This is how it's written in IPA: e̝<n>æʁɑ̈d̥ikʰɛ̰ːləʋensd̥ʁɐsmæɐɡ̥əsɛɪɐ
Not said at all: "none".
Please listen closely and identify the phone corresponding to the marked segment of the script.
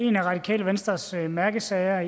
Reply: n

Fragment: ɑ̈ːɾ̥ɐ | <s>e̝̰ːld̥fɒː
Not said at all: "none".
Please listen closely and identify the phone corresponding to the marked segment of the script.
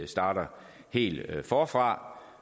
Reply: h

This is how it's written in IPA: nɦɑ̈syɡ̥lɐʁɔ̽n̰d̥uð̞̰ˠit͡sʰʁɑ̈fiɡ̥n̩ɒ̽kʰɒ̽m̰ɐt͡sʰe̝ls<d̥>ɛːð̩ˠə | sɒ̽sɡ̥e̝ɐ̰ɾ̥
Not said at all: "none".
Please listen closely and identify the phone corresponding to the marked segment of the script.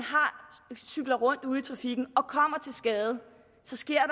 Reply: ɡ̥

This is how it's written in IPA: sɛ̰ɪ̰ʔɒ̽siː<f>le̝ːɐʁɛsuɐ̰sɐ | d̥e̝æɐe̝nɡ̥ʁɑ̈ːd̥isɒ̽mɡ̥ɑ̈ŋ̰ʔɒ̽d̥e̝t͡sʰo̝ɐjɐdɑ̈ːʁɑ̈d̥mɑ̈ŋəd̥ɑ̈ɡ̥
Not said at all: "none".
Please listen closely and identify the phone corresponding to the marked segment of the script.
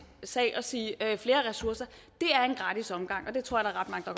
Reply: f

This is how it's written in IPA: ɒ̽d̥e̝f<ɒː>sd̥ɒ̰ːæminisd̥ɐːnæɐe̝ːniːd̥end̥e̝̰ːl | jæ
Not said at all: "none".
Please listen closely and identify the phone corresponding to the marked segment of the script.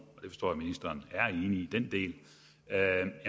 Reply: ɒ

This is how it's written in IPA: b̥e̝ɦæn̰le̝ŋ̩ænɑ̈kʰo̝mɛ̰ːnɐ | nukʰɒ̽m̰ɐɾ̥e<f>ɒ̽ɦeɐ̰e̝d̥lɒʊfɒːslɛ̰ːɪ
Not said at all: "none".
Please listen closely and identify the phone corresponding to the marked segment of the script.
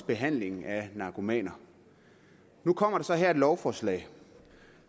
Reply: s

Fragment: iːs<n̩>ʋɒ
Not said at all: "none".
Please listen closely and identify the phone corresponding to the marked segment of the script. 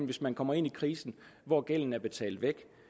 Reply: n̩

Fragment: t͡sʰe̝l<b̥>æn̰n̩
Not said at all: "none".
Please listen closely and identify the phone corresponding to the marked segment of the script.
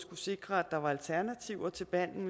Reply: b̥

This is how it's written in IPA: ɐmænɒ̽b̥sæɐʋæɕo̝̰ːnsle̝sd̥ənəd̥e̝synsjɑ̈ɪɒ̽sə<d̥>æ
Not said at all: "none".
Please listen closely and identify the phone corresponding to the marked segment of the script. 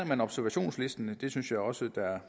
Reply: d̥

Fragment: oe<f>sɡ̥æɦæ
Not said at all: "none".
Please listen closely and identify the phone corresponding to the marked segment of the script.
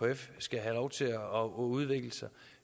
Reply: f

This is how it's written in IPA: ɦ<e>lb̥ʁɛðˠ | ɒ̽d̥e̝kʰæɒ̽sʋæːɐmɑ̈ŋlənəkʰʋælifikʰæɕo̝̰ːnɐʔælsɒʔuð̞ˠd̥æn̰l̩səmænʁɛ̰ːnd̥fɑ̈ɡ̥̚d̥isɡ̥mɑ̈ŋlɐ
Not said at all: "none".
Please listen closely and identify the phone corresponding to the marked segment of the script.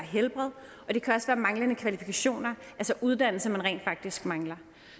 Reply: e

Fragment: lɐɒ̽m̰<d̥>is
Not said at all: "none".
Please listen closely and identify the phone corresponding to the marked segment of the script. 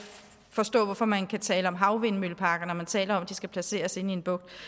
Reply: d̥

